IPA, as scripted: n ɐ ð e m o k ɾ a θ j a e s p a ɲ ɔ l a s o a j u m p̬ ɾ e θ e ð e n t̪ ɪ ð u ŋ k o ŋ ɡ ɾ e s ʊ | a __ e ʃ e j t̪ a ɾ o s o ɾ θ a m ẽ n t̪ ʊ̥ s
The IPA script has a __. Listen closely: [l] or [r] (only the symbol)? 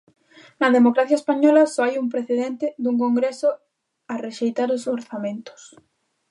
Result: r